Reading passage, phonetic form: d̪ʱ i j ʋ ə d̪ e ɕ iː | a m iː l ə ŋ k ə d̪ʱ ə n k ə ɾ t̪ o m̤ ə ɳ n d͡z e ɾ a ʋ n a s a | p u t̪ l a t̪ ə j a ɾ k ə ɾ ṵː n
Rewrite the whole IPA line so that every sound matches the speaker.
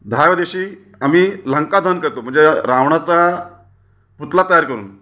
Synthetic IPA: d̪ʱ a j ʋ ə d̪ e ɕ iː | a m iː l ə ŋ k a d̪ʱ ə n k ə ɾ t̪ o m̤ ə ɳ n d͡z e ɾ a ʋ ɳ a t͡s a | p u t̪ l a t̪ ə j a ɾ k ə ɾ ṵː n